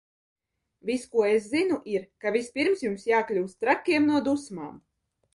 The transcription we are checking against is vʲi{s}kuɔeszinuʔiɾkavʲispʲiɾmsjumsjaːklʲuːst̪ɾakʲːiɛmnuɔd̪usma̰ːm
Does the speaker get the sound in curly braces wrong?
no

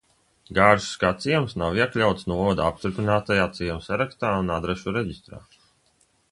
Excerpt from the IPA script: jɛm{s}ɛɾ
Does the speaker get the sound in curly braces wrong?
no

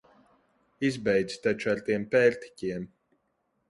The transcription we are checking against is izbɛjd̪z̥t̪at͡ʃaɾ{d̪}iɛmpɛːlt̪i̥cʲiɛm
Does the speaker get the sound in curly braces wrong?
yes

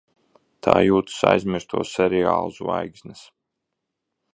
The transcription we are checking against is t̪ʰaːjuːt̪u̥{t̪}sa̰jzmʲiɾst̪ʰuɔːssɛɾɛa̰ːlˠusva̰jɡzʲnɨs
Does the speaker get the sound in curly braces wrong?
yes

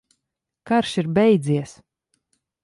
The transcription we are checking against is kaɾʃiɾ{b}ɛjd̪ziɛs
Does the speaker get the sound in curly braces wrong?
no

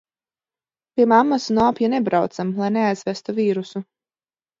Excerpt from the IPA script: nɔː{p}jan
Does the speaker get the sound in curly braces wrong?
no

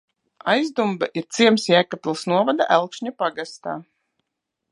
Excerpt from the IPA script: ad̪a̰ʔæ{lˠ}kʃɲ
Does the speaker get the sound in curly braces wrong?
no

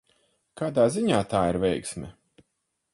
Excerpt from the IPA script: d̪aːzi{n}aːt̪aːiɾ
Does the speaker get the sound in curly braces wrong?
yes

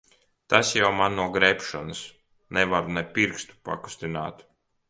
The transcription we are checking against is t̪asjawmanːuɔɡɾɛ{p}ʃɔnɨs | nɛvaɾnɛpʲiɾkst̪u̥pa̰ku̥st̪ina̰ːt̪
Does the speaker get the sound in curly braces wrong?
no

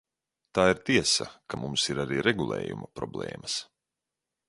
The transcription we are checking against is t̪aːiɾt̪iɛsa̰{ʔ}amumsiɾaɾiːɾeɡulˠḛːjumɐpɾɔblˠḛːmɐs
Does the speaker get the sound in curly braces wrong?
yes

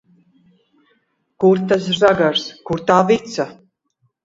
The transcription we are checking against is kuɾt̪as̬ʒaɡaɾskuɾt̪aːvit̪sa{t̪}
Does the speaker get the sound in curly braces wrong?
yes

